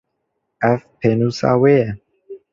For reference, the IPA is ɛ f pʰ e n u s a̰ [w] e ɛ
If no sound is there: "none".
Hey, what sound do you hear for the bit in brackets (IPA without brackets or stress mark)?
w